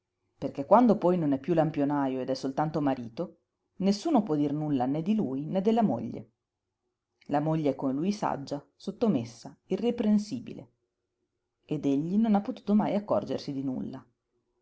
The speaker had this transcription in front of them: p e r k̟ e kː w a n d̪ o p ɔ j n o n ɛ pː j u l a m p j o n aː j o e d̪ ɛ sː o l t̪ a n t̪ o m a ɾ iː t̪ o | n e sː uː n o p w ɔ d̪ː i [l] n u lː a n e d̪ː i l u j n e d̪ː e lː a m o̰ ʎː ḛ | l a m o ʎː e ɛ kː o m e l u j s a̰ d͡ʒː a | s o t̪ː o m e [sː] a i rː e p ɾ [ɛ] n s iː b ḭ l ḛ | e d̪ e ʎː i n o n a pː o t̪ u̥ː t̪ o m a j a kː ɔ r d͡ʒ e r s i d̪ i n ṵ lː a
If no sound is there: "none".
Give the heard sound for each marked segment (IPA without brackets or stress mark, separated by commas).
r, sː, e